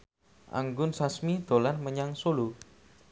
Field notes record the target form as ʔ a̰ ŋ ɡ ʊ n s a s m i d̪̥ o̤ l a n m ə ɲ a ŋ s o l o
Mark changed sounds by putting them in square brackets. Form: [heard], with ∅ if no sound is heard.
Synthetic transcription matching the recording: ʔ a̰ ŋ ɡ ʊ n s a s m i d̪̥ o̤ l a n m ə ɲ a ŋ s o l [u]